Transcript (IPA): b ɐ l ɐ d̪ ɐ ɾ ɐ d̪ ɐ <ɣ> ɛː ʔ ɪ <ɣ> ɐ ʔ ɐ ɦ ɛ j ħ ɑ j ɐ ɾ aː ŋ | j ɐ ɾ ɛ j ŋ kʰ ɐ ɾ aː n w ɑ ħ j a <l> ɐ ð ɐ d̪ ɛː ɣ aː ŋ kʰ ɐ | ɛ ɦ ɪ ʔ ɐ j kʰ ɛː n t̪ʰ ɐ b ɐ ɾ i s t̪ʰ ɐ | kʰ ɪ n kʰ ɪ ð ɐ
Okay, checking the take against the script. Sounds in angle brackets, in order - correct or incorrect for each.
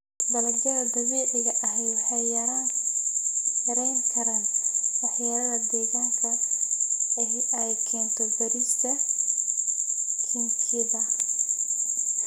correct, correct, incorrect: ɾ

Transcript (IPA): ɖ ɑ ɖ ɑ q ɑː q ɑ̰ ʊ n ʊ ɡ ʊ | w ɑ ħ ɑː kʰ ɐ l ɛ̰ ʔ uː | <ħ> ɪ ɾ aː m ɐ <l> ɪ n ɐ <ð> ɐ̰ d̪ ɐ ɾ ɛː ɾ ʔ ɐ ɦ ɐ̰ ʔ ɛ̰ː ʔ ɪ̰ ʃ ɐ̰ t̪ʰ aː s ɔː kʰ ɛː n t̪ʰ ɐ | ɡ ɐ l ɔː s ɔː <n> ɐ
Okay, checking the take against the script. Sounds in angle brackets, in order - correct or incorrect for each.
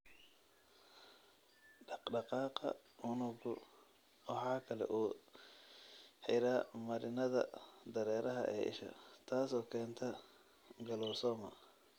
correct, incorrect: ɾ, correct, incorrect: m

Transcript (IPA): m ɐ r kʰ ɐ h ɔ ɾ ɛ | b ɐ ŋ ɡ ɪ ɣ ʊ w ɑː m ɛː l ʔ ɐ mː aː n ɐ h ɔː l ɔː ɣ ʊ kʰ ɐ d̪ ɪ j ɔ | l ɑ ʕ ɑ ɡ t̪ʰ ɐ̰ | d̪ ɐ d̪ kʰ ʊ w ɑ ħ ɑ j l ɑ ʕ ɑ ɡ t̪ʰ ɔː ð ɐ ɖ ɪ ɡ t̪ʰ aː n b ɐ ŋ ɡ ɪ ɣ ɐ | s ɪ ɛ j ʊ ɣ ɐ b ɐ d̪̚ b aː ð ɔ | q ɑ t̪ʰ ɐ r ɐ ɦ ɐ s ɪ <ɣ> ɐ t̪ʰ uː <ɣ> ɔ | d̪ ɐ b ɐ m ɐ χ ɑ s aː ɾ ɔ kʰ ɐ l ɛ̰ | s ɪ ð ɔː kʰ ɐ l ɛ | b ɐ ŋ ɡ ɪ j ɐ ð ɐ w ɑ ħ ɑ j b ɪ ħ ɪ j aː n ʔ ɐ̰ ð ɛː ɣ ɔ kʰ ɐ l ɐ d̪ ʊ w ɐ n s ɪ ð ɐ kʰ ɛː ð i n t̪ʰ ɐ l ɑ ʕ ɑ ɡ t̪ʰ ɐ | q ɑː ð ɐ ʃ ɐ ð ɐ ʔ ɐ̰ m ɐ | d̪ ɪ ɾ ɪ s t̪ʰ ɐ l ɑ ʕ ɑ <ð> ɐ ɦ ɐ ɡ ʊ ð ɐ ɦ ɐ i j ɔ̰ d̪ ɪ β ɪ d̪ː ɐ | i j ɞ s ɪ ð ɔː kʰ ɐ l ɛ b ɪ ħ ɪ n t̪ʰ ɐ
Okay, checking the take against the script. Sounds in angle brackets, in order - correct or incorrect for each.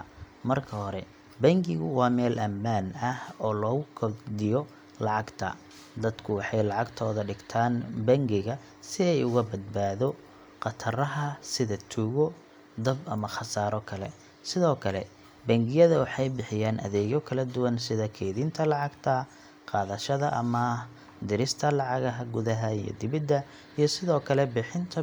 incorrect: ð, correct, incorrect: ɣ

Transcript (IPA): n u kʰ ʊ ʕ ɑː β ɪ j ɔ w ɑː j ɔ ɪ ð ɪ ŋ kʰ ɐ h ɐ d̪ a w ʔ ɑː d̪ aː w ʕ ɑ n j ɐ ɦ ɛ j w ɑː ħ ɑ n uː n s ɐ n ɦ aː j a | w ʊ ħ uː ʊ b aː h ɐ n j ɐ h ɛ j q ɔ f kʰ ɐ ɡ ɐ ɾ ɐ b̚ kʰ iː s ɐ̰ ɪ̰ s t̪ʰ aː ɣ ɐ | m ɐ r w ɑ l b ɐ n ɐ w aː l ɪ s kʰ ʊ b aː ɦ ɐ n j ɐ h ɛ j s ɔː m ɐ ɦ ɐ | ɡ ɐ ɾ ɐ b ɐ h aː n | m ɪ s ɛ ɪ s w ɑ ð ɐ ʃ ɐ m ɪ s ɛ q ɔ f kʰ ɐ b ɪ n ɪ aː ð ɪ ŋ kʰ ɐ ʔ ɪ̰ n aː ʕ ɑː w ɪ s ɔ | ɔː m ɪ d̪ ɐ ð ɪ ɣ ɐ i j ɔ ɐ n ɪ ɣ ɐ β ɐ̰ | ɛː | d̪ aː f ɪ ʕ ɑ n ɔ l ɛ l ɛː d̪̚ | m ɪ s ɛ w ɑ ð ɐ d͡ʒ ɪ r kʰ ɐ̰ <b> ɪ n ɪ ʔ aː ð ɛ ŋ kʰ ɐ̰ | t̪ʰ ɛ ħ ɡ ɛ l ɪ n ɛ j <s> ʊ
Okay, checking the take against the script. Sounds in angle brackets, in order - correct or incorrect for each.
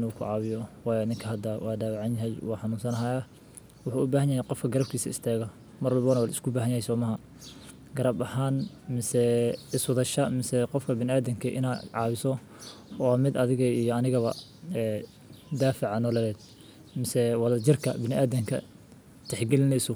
correct, correct

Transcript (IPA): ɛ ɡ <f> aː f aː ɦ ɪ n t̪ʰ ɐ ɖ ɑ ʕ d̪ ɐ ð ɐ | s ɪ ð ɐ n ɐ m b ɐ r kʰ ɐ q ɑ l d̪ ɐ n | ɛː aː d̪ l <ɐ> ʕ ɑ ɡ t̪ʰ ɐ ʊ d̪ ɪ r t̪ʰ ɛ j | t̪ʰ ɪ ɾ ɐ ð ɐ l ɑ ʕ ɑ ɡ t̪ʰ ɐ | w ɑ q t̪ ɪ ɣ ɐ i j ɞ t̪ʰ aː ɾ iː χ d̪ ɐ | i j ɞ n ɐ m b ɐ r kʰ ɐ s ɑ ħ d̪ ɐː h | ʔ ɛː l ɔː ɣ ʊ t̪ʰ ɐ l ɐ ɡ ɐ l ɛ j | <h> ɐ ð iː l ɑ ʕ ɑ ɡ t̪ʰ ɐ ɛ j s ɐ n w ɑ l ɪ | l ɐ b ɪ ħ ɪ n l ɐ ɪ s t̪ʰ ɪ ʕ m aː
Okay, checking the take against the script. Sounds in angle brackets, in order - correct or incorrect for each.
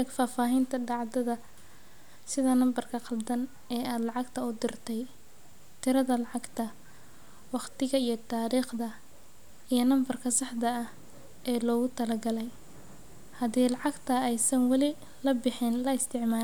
correct, incorrect: ɑ, correct

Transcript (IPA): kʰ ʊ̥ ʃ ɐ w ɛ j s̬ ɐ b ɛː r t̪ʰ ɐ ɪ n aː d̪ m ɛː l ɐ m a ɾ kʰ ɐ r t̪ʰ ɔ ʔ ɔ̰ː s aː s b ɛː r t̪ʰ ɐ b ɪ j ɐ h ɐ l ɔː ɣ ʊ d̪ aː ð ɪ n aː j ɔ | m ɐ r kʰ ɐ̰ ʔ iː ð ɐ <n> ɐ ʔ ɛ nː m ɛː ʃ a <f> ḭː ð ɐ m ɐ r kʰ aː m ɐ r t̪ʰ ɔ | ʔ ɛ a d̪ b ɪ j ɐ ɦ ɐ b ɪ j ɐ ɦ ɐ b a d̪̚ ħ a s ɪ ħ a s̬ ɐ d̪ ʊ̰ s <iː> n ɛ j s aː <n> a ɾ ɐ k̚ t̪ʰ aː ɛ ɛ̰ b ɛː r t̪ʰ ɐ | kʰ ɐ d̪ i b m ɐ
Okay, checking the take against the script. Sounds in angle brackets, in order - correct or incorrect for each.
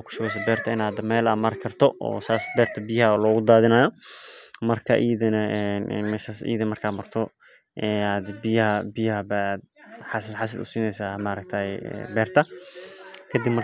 correct, incorrect: s, correct, incorrect: m

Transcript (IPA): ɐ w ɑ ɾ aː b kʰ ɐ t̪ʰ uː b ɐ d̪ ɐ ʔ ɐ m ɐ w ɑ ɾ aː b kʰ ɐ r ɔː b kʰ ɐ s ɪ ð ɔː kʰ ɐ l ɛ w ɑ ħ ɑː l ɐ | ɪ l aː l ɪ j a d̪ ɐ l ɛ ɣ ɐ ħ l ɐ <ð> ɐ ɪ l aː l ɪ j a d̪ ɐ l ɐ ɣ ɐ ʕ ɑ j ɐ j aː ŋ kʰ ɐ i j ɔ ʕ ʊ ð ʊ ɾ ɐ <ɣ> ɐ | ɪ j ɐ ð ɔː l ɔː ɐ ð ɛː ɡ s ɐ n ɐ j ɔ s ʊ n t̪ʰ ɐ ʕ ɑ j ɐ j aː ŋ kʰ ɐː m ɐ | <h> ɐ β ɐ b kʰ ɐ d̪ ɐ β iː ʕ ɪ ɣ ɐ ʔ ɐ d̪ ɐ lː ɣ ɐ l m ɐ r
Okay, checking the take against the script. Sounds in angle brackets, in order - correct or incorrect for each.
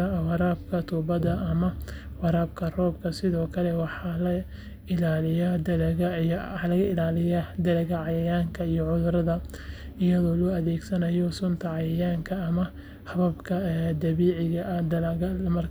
incorrect: ɣ, incorrect: ð, correct

